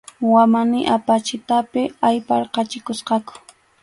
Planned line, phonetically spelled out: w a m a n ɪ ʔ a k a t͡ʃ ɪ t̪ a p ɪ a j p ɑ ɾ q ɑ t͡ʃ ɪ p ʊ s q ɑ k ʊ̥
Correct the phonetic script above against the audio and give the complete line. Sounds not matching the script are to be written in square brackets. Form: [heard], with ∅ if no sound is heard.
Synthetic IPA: w a m a n ɪ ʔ a [p] a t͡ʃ ɪ t̪ a p ɪ a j p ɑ ɾ q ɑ t͡ʃ ɪ [k] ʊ s q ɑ k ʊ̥